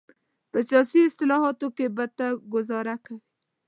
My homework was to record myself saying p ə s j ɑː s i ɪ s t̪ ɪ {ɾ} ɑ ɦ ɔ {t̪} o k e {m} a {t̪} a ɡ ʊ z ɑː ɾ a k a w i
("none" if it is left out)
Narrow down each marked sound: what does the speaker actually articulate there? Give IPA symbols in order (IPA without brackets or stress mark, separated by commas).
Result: l, t̪, b, t̪